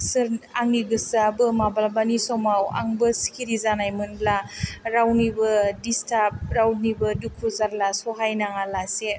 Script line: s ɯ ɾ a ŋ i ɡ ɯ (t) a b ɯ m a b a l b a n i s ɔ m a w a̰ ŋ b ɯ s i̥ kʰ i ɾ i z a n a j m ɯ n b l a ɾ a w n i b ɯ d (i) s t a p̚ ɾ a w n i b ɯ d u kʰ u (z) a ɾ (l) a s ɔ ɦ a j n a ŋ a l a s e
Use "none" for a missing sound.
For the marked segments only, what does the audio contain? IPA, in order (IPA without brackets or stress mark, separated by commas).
s, i, z, l